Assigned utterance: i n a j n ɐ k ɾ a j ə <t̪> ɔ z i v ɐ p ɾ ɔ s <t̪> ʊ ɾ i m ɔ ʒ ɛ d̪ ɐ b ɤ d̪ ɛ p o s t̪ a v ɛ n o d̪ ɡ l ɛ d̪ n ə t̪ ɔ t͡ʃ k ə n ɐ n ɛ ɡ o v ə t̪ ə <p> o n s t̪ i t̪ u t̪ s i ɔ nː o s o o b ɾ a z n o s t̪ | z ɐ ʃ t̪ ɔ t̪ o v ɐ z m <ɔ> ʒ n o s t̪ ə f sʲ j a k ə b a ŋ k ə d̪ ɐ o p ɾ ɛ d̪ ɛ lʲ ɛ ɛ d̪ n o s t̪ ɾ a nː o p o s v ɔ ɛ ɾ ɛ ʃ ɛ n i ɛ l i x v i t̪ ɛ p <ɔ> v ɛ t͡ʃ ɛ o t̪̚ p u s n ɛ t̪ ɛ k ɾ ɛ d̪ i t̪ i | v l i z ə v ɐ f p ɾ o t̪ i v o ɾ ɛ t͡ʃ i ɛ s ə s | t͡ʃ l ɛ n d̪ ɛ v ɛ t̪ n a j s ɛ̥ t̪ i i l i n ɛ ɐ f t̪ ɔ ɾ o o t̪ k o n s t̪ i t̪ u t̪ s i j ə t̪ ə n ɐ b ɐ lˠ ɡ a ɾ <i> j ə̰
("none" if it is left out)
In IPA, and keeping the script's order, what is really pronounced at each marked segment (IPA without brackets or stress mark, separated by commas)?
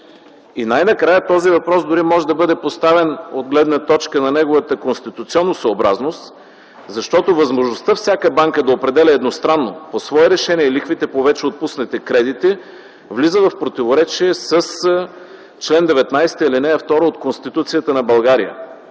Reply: t̪, d̪, k, o, o, i